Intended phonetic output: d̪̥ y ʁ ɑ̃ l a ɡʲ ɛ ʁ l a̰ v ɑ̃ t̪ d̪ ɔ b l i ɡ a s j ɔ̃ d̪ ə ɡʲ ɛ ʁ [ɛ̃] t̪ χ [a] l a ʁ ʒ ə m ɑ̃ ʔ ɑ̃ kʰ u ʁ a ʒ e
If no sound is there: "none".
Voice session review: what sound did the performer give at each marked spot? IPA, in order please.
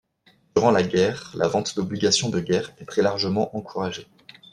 ɛ, ɛ

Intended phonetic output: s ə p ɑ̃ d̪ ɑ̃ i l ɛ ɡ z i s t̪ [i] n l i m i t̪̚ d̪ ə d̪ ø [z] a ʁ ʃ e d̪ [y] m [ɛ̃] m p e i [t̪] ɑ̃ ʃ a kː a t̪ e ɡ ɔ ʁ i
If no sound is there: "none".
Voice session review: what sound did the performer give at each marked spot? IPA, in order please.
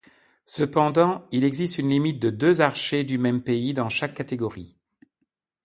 y, z, y, ɛ, d̪

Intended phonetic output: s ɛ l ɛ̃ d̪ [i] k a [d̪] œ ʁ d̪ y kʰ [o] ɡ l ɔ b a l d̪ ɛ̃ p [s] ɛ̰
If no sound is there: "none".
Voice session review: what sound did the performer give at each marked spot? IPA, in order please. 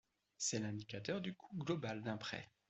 i, t̪, u, χ

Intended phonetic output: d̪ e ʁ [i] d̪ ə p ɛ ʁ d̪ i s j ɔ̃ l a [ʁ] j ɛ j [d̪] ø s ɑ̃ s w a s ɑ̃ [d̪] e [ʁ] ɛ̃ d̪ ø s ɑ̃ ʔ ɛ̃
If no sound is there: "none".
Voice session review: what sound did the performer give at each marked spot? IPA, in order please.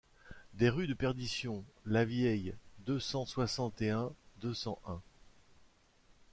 y, v, d̪, t̪, none

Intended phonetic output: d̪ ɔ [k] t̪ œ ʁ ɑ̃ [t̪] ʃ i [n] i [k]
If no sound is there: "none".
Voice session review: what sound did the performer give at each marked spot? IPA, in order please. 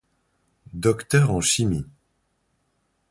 k, none, m, none

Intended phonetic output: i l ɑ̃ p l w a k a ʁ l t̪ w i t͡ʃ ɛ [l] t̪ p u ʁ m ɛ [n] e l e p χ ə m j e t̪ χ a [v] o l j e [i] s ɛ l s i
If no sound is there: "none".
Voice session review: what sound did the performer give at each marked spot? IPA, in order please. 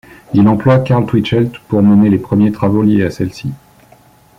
l, n, v, a

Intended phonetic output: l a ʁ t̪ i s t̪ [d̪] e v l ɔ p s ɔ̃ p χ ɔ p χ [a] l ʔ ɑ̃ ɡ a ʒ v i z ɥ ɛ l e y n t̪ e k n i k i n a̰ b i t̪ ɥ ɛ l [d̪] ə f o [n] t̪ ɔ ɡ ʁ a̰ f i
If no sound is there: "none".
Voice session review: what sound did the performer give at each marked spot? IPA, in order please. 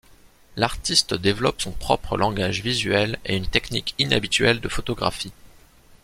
d̪, ə, d̪, none

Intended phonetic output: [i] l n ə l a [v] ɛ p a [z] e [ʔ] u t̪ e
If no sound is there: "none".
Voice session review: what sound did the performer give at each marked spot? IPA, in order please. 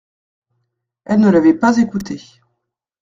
ɛ, v, z, k

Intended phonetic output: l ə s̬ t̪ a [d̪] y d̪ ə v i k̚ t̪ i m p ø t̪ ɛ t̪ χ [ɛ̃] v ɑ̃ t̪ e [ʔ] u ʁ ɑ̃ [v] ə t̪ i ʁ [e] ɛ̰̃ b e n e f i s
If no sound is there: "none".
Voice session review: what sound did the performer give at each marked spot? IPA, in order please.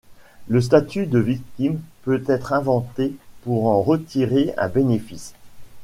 t̪, ɛ̃, p, ʁ, e

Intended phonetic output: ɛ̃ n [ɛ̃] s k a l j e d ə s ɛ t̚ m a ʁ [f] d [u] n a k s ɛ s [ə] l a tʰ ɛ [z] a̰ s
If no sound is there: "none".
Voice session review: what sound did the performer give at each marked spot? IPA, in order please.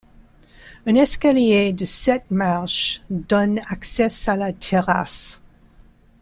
ɛ, ʃ, ɔ, a, ʁ

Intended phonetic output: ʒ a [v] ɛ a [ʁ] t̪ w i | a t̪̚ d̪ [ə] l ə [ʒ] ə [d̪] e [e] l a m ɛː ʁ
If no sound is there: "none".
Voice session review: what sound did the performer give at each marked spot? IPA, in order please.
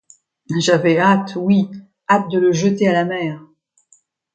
v, none, ə, ʒ, t̪, a

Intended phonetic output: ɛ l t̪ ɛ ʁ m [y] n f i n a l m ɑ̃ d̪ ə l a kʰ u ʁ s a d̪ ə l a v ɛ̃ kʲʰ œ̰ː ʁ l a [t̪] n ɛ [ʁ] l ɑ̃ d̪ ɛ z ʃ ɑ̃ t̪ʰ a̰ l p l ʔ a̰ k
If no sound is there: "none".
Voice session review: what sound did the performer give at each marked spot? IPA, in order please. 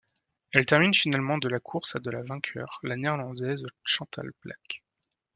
i, none, ʁ

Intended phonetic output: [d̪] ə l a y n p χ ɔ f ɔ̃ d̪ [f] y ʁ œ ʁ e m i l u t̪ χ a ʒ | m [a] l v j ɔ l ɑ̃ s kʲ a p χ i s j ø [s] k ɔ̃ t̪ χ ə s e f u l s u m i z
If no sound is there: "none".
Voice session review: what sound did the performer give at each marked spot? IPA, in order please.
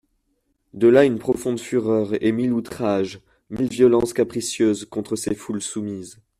d̪, f, i, z

